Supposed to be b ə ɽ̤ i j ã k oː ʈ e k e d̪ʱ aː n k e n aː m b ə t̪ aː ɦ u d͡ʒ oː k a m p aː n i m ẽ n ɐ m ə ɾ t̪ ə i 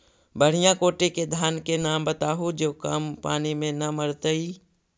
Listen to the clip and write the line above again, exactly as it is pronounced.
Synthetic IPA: b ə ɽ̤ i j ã k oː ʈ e k e d̪ʱ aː n k e n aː m b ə t̪ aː ɦ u d͡ʒ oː k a m p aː n i m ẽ n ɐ m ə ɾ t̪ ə i